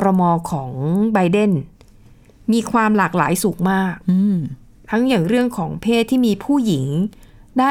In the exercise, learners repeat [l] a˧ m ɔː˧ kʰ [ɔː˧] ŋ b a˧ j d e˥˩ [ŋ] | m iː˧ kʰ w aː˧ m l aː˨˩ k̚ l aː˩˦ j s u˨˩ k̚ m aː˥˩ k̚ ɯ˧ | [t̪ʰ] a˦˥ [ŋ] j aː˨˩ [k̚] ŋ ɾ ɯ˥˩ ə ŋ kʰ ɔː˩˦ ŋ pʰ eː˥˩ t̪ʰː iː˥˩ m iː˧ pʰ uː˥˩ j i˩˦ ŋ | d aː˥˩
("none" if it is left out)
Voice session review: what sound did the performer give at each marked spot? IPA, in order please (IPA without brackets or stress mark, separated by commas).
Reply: ɾ, ɔː˩˦, n, t̪ʰ, ŋ, none